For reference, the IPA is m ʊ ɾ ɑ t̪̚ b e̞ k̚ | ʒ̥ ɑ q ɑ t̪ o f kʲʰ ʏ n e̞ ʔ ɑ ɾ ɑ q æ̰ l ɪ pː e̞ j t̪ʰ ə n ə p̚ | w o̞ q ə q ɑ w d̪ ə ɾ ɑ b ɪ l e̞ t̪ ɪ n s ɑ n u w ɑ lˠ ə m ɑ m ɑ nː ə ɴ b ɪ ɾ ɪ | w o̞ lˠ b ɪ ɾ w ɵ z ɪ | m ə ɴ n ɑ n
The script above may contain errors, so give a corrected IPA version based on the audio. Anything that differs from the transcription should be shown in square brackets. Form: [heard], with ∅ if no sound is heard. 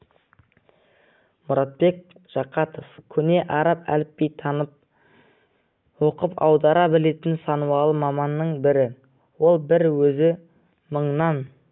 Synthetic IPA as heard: m ʊ ɾ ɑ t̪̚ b e̞ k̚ | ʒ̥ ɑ q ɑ t̪ o f kʲʰ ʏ n e̞ ʔ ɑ ɾ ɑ [p] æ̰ l ɪ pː e̞ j t̪ʰ [ɑ] n ə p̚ | w o̞ q ə [p] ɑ w d̪ [ɑ] ɾ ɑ b ɪ l e̞ t̪ ɪ n s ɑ n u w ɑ lˠ ə m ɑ m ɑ nː ə ɴ b ɪ ɾ ɪ | w o̞ lˠ b ɪ ɾ w ɵ z ɪ | m ə ɴ n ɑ n

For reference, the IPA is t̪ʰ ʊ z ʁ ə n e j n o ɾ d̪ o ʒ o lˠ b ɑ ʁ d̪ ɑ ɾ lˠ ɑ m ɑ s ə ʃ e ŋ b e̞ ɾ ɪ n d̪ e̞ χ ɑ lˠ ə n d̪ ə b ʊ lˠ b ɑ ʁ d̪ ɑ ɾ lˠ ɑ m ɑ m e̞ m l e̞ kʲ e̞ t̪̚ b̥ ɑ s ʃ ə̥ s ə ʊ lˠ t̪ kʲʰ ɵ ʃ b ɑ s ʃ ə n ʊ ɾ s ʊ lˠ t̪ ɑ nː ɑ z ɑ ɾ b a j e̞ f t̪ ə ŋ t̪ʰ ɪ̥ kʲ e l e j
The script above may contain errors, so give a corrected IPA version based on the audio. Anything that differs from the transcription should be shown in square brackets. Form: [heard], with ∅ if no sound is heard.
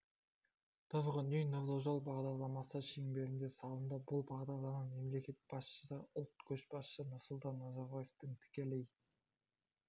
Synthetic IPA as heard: t̪ʰ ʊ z ʁ ə n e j n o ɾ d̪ o ʒ o lˠ b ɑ ʁ d̪ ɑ ɾ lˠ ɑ m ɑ s ə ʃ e ŋ b e̞ ɾ ɪ n d̪ e̞ [s] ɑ lˠ ə n d̪ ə b ʊ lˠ b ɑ ʁ d̪ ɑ ɾ lˠ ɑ m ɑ m e̞ m l e̞ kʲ e̞ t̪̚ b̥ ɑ s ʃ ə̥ s ə ʊ lˠ t̪ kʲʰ ɵ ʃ b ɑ s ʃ ə n ʊ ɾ s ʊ lˠ t̪ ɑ nː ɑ z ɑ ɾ b a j e̞ f t̪ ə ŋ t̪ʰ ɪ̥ kʲ e l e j

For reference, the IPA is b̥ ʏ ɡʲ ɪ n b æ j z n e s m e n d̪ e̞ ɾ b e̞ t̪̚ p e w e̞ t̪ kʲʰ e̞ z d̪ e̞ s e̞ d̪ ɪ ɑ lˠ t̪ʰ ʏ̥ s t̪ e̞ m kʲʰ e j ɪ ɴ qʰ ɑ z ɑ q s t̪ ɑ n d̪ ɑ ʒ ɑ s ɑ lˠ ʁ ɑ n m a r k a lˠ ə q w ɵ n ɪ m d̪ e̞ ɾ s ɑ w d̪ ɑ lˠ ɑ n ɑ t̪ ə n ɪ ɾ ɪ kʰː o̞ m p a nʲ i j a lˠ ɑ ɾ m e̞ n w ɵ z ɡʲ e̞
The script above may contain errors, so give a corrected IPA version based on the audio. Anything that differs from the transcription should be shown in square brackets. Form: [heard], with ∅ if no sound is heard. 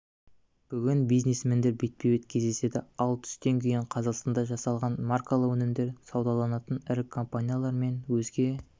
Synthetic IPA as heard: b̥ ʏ ɡʲ ɪ n b [i] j z n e s m e n d̪ e̞ ɾ b e̞ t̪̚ p e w e̞ t̪ kʲʰ e̞ z d̪ e̞ s e̞ d̪ ɪ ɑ lˠ t̪ʰ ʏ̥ s t̪ e̞ [ŋ] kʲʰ e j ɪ ɴ qʰ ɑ z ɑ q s t̪ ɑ n d̪ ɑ ʒ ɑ s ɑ lˠ ʁ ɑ n m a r k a lˠ ə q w ɵ n ɪ m d̪ e̞ ɾ s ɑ w d̪ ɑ lˠ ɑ n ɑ t̪ ə n ɪ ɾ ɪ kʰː o̞ m p a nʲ i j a lˠ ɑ ɾ m e̞ n w ɵ z ɡʲ e̞

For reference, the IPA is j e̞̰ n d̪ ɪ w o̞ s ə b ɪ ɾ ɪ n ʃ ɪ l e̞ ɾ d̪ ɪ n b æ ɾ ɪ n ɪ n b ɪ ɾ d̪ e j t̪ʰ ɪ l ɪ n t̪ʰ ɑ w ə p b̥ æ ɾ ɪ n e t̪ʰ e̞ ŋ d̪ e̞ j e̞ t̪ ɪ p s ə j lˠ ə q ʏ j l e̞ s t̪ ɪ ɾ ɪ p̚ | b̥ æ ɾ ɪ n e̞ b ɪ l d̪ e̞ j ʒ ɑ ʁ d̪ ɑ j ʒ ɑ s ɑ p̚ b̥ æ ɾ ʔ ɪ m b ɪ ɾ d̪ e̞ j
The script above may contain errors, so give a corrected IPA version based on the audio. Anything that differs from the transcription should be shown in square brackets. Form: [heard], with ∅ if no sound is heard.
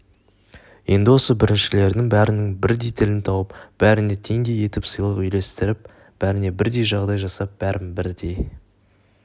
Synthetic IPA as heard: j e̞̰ n d̪ ɪ w o̞ s ə b ɪ ɾ ɪ n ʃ ɪ l e̞ ɾ d̪ ɪ [ŋ] b æ ɾ ɪ n ɪ [ŋ] b ɪ ɾ d̪ e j t̪ʰ ɪ l ɪ n t̪ʰ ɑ w ə p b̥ æ ɾ ɪ n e t̪ʰ e̞ ŋ d̪ e̞ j e̞ t̪ ɪ p s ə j lˠ ə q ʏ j l e̞ s t̪ ɪ ɾ ɪ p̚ | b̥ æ ɾ ɪ n e̞ b ɪ [ɾ] d̪ e̞ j ʒ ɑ ʁ d̪ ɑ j ʒ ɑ s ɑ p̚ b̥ æ ɾ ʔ ɪ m b ɪ ɾ d̪ e̞ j

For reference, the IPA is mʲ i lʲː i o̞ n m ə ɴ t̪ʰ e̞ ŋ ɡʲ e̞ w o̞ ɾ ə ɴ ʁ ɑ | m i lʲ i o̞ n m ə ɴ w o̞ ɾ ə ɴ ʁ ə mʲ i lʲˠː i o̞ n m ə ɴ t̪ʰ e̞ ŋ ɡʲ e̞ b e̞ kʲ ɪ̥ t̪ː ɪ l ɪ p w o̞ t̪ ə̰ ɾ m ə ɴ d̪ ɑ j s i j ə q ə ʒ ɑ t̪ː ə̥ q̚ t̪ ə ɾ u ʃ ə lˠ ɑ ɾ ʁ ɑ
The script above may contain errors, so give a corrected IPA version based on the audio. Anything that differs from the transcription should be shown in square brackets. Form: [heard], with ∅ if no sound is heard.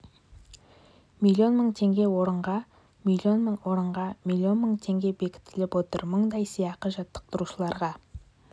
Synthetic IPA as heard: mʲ i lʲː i o̞ n m ə ɴ t̪ʰ e̞ ŋ ɡʲ e̞ w o̞ ɾ ə ɴ ʁ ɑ | m i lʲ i o̞ n m ə ɴ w o̞ ɾ ə ɴ ʁ [ɑ] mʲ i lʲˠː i o̞ n m ə ɴ t̪ʰ e̞ ŋ ɡʲ e̞ b e̞ kʲ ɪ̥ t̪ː ɪ l ɪ p w o̞ t̪ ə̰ ɾ m ə ɴ d̪ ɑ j s i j [ɑ] q ə ʒ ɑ t̪ː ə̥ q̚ t̪ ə ɾ u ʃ ə lˠ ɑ ɾ ʁ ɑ

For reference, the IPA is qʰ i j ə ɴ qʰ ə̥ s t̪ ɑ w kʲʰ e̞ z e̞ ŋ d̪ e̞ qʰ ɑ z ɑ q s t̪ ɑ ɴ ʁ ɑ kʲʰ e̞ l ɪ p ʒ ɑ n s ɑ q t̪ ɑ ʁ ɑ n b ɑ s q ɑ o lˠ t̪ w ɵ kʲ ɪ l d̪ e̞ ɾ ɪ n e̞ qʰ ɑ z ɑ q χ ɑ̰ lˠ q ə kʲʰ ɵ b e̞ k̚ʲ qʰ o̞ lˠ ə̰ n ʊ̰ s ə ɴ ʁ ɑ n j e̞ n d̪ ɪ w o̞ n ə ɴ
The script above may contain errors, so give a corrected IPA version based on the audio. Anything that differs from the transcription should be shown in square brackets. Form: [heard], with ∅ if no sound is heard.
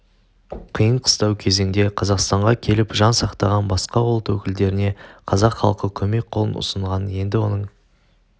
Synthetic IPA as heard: qʰ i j ə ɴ qʰ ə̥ s t̪ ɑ w kʲʰ e̞ z e̞ ŋ d̪ e̞ qʰ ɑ z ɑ q s t̪ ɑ ɴ ʁ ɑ kʲʰ e̞ l ɪ p ʒ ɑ n s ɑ q t̪ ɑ ʁ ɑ n b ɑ s q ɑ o lˠ t̪ w ɵ kʲ ɪ l d̪ e̞ ɾ ɪ n e̞ qʰ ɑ z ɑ q χ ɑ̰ lˠ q ə kʲʰ ɵ [m] e̞ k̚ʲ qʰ o̞ lˠ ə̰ n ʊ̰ s ə ɴ ʁ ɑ n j e̞ n d̪ ɪ w o̞ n ə ɴ

